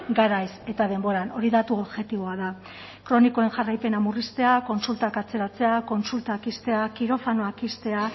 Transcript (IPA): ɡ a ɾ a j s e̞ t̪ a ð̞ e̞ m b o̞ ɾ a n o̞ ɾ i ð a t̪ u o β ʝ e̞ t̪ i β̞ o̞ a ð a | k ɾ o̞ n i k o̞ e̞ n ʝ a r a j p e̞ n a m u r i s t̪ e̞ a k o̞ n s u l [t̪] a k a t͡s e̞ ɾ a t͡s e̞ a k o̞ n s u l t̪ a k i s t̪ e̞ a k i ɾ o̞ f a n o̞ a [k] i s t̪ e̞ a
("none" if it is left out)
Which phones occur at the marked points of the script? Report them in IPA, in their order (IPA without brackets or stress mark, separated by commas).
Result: t̪, k